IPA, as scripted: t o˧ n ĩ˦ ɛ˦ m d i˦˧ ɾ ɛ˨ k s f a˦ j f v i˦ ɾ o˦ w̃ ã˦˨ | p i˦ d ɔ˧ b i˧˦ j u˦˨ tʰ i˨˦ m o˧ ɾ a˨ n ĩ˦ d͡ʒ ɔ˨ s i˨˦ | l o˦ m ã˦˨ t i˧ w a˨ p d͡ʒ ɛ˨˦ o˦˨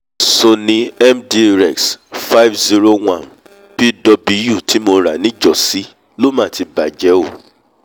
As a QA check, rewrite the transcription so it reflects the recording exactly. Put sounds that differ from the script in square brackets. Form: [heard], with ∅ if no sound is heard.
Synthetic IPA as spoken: [s] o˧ n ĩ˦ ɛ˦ m d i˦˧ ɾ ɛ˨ k s f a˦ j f [z] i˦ ɾ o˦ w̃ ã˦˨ | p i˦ d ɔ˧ b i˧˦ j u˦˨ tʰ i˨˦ m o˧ ɾ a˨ n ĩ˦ d͡ʒ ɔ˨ s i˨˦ | l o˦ m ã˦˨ t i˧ [b] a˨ [∅] d͡ʒ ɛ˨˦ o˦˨